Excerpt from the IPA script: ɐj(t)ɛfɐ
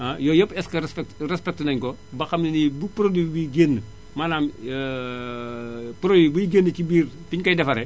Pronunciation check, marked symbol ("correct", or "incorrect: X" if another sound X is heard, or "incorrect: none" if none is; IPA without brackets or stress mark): incorrect: d